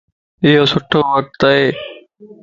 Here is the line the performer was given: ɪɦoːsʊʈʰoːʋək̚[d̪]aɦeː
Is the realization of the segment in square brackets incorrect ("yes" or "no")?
yes